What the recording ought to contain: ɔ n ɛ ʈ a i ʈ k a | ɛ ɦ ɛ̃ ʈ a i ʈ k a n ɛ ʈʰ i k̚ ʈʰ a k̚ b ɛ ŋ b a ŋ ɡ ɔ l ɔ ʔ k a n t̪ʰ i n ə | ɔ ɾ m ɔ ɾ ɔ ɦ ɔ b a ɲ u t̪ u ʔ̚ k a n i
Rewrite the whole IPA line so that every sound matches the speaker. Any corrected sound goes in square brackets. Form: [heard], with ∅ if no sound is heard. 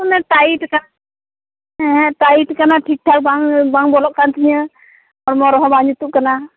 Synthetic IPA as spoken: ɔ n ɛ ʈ a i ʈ k a | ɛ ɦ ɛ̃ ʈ a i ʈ k a n [a] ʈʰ i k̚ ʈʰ a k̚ b [a] ŋ b a ŋ [b] ɔ l ɔ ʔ k a n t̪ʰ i [ɲ] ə | ɔ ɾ m ɔ ɾ ɔ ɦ ɔ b a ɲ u t̪ u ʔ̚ k a n [a]